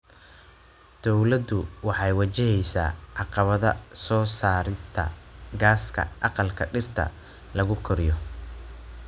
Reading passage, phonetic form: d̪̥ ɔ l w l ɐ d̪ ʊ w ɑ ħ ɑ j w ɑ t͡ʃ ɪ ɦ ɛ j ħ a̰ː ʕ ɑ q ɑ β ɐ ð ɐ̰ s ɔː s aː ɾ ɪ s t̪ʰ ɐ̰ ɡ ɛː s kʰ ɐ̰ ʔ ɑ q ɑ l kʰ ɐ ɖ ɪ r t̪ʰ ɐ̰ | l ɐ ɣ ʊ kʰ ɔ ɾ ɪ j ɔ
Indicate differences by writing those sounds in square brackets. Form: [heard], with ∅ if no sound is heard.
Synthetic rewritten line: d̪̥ ɔ [∅] w l ɐ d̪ ʊ w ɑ ħ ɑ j w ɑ t͡ʃ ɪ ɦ ɛ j [s] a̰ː ʕ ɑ q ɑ β ɐ ð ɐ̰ s ɔː s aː ɾ ɪ s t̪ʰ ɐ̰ ɡ [aː] s kʰ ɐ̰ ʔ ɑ q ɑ l kʰ ɐ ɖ ɪ r t̪ʰ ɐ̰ | l ɐ ɣ ʊ kʰ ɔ ɾ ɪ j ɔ